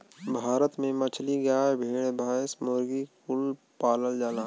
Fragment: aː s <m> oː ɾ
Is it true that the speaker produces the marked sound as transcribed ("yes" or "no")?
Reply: yes